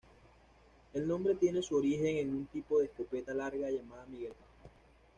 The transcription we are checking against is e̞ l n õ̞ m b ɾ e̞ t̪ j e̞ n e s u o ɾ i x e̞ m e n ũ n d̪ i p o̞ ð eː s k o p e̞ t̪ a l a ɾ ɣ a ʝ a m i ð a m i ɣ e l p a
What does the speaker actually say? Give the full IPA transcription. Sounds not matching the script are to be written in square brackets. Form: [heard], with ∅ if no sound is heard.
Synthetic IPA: e̞ l n õ̞ m b ɾ e̞ t̪ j e̞ n e s u o ɾ i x e̞ [ŋ] e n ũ n [t̪] i p o̞ ð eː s k o p e̞ t̪ a l a ɾ ɣ a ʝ a m [a] ð a m i ɣ e l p a